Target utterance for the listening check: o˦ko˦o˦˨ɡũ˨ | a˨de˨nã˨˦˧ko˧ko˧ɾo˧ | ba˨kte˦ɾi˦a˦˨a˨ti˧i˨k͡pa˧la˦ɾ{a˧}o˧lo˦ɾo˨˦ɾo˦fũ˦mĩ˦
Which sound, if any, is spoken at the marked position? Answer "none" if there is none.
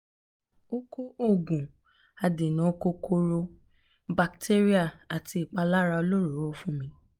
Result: a˧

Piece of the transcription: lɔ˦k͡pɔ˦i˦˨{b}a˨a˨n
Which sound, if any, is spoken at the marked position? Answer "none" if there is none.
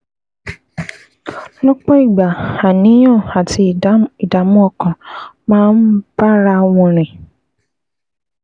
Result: ɡ͡b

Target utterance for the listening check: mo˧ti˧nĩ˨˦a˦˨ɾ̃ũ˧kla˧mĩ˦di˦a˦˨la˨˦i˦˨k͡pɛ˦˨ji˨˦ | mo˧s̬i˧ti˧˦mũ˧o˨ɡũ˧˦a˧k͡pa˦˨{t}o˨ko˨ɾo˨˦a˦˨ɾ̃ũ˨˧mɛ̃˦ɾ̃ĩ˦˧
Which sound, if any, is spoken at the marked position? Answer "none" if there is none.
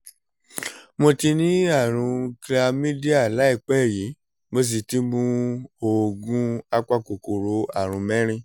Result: k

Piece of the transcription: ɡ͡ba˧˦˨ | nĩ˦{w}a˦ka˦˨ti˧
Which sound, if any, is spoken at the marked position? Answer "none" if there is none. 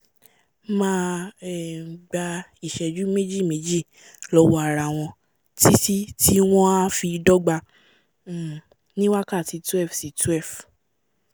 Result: w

